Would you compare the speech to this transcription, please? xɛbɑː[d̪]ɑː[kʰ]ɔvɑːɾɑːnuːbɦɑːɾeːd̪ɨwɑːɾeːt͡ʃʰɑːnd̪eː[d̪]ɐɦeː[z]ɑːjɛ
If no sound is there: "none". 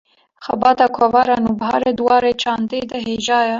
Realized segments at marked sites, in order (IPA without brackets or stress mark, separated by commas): t̪, kʰ, d̪, ʒ